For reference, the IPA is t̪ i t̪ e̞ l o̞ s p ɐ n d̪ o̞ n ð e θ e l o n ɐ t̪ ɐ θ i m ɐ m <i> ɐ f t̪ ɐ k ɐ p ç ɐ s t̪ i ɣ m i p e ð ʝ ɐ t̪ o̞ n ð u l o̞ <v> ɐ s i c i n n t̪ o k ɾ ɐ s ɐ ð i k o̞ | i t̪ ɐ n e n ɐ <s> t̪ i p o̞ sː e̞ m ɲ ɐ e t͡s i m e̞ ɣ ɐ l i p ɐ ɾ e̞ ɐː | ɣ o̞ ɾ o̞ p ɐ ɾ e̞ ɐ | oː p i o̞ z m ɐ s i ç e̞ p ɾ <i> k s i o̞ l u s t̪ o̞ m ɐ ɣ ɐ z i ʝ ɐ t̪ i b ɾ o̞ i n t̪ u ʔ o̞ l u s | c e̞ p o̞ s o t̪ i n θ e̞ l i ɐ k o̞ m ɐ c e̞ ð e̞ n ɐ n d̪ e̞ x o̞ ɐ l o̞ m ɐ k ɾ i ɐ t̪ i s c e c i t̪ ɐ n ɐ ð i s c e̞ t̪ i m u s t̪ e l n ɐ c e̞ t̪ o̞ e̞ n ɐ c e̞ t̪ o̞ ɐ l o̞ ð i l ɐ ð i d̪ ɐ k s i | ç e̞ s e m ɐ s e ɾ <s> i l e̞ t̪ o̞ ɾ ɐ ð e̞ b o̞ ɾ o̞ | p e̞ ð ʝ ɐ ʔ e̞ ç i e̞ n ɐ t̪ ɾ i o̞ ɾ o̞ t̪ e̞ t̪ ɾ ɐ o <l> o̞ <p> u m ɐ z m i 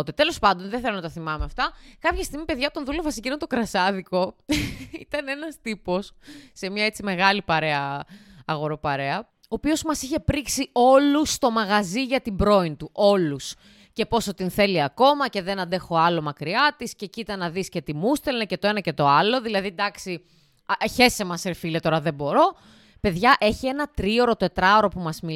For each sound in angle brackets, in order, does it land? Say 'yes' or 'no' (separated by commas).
no, yes, yes, yes, no, no, yes